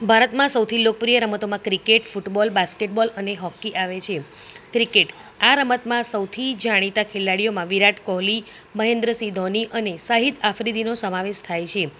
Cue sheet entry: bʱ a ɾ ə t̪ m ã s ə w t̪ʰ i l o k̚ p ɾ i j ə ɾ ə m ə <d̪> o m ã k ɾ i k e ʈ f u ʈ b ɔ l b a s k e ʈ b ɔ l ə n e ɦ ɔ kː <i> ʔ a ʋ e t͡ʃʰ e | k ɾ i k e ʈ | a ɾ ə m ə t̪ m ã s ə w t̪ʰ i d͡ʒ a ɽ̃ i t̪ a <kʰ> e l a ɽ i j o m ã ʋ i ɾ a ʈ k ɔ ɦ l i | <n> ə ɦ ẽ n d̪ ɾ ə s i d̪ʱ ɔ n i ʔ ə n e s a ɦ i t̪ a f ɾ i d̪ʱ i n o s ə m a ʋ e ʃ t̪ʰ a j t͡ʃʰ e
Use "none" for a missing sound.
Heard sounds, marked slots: t̪, i, kʰ, m

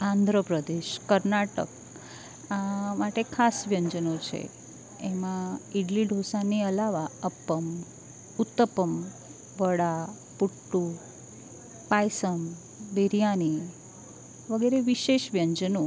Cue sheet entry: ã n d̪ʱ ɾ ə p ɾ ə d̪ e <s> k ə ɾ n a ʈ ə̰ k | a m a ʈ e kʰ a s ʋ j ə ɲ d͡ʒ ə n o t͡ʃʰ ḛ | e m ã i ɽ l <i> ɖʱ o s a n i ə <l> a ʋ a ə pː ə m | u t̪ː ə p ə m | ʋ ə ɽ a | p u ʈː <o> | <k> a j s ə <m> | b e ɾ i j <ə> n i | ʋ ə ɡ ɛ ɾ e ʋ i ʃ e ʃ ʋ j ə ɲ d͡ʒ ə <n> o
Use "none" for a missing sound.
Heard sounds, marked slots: ʃ, i, l, u, p, m, a, n

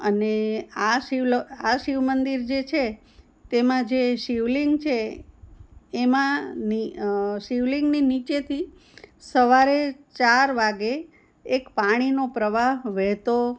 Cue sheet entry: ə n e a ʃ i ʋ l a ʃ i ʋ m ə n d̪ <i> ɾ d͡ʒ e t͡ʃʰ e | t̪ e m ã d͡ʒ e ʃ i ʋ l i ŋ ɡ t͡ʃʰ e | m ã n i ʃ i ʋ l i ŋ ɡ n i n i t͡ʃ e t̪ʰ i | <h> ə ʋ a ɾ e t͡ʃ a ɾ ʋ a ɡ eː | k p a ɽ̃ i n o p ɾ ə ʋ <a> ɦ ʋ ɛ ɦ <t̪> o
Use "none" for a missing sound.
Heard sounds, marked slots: i, s, a, t̪

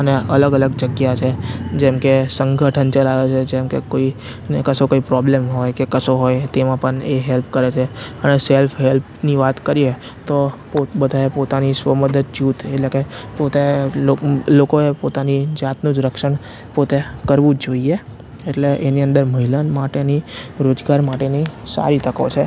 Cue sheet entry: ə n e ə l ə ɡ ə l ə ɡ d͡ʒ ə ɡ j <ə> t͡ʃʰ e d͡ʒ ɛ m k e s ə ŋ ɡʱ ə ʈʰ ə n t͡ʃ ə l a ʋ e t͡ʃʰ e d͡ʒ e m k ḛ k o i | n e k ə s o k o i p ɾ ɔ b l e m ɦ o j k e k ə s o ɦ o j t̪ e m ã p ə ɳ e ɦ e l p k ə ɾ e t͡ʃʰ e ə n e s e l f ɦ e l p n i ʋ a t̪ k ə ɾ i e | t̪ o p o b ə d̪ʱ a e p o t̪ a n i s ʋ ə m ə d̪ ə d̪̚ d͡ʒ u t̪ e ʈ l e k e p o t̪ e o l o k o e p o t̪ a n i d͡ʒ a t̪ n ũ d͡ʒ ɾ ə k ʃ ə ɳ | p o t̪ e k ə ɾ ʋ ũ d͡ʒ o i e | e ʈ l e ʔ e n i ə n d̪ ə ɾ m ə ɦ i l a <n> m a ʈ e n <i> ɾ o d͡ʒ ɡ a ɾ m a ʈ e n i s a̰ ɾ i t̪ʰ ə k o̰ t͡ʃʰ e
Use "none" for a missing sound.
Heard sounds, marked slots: a, n, i

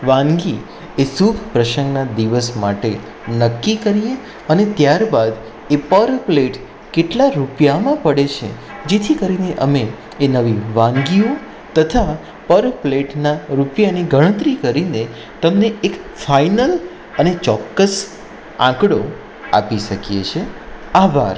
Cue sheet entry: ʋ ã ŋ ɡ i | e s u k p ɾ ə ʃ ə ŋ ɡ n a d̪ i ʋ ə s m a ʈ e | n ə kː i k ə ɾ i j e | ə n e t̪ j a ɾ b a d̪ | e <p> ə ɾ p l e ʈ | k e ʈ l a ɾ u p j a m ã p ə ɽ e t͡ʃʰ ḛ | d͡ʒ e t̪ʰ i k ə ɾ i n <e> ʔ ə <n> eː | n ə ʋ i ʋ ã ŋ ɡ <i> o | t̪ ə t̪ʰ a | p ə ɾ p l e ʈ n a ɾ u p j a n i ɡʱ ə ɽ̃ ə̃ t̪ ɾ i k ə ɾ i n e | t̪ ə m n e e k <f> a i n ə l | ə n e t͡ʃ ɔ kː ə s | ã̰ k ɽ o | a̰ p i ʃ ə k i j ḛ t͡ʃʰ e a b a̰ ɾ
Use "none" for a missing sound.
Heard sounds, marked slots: p, e, m, i, f

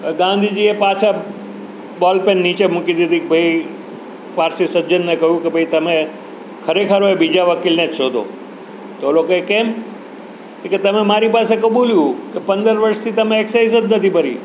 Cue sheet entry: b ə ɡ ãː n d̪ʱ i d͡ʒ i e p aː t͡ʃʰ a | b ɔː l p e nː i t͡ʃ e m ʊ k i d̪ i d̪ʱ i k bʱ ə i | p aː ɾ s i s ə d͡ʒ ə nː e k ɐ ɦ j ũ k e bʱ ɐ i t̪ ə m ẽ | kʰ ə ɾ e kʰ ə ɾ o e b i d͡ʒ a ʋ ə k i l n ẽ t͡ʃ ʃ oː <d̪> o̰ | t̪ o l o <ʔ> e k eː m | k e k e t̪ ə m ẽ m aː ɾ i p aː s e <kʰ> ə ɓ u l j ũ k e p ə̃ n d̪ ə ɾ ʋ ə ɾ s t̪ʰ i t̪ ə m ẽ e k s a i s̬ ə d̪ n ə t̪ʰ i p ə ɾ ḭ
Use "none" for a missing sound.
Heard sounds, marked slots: d̪, k, k

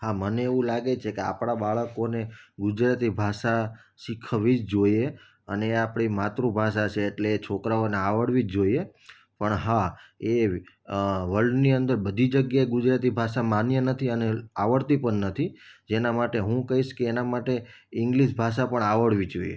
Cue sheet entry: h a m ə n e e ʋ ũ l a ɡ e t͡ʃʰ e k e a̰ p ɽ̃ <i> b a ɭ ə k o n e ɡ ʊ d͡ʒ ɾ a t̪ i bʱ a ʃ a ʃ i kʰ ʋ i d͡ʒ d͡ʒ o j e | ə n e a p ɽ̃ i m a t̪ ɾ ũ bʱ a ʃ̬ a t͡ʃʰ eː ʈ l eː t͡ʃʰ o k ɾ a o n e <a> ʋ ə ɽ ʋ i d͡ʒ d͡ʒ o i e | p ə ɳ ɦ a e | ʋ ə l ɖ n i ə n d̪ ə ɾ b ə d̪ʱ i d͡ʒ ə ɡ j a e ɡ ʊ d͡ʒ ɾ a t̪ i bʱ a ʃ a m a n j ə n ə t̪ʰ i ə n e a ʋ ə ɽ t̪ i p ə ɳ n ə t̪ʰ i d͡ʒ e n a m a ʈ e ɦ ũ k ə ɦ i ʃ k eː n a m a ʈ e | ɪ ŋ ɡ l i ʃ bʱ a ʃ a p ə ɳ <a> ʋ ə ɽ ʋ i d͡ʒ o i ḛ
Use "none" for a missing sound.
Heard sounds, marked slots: a, a, a

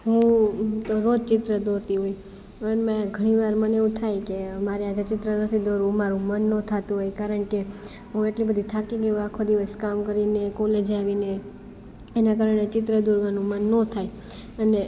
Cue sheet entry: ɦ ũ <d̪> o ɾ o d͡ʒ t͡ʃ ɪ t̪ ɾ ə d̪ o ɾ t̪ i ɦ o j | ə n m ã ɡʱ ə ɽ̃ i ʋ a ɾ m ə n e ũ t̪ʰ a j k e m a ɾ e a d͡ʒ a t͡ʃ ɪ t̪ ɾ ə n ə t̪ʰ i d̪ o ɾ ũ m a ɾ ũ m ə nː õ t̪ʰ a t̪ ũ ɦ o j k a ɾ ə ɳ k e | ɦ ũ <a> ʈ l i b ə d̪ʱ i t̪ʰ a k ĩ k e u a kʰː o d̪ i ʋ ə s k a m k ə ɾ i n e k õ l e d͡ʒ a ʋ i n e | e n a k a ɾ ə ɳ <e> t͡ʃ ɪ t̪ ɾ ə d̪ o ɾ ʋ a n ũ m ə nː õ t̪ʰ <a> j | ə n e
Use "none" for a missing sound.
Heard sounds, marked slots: t̪, e, e, a

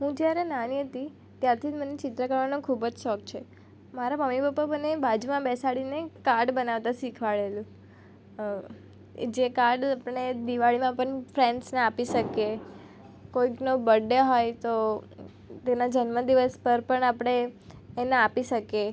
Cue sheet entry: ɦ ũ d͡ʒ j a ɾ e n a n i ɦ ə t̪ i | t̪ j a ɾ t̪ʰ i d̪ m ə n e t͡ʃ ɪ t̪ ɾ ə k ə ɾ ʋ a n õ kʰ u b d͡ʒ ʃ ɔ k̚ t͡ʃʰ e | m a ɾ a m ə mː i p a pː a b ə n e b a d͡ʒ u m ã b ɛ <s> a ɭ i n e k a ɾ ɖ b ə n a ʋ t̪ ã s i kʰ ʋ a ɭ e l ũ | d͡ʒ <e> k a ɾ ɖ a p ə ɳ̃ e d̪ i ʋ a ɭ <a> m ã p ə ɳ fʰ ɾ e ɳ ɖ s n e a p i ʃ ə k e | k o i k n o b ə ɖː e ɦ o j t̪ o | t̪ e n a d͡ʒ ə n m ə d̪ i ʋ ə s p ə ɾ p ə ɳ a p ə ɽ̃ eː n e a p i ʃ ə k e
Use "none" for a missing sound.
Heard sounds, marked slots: s, e, i

